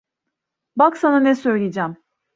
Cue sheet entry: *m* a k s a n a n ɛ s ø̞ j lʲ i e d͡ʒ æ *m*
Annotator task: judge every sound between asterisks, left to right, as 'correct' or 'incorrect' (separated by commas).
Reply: incorrect, correct